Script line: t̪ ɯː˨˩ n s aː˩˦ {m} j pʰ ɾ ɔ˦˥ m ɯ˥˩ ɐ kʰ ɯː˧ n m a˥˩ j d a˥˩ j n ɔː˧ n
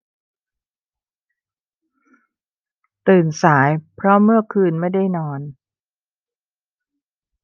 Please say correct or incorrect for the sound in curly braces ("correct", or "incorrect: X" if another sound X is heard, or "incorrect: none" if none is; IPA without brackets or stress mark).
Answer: incorrect: none